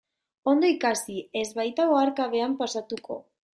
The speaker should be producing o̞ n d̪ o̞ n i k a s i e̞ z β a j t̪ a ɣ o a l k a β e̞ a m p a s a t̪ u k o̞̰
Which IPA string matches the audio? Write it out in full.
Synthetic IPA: o̞ n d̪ o̞ i k a s i e̞ z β a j t̪ a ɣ o a ɾ k a β e̞ a m p a s a t̪ u k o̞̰